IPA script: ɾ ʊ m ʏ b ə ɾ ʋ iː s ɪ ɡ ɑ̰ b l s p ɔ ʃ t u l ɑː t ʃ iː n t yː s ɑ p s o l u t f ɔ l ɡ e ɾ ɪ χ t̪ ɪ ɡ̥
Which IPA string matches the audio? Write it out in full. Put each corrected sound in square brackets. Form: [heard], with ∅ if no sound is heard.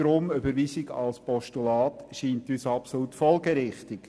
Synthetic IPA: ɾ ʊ m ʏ b ə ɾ ʋ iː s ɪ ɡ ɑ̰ [∅] l s p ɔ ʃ t u l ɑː t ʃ iː n t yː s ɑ p s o l u t f ɔ l ɡ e ɾ ɪ χ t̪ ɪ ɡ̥